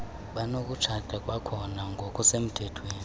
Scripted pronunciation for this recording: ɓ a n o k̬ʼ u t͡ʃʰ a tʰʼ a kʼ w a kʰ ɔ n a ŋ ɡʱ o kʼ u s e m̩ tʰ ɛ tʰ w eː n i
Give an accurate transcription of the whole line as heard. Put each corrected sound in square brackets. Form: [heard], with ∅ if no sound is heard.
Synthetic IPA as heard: ɓ a n o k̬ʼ u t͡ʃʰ a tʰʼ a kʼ w a kʰ ɔ n a ŋ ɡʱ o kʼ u s e m̩ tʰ ɛ tʰ w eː n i